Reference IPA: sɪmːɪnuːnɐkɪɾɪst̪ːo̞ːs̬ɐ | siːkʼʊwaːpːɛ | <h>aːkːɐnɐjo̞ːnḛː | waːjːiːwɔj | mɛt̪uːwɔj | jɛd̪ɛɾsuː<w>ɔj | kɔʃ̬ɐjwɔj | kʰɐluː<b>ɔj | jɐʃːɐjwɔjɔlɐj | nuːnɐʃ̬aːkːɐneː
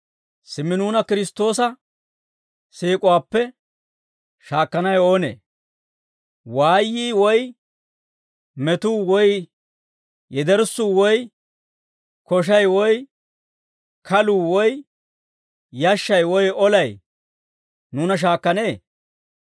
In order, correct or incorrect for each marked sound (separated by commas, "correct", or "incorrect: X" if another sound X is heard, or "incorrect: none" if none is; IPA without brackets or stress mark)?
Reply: incorrect: ʃ, correct, incorrect: w